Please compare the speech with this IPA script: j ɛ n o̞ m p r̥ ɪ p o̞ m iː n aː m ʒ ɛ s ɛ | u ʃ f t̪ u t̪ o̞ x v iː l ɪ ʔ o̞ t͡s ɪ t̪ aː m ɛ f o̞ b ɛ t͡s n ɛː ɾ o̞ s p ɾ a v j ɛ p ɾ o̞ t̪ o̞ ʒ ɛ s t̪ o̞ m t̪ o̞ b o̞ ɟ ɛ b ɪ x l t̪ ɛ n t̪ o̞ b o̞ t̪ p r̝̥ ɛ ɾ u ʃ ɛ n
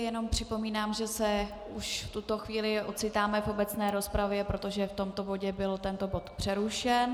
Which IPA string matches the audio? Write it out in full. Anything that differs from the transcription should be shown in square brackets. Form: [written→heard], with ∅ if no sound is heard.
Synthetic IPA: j ɛ n o̞ m p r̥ ɪ p o̞ m iː n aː m ʒ ɛ s ɛ | u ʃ f t̪ u t̪ o̞ x v iː l ɪ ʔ o̞ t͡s ɪ t̪ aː m ɛ f o̞ b ɛ t͡s n ɛː ɾ o̞ s p ɾ a v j ɛ p ɾ o̞ t̪ o̞ ʒ ɛ [s→f] t̪ o̞ m t̪ o̞ b o̞ ɟ ɛ b ɪ [x→∅] l t̪ ɛ n t̪ o̞ b o̞ t̪ p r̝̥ ɛ ɾ u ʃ ɛ n